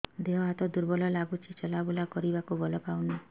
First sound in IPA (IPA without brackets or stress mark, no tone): d̪